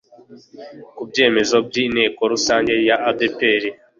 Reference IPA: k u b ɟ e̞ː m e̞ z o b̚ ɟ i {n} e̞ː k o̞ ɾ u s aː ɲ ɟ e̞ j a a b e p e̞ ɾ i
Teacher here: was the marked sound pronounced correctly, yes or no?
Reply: yes